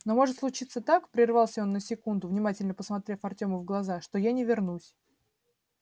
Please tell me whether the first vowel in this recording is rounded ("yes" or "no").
yes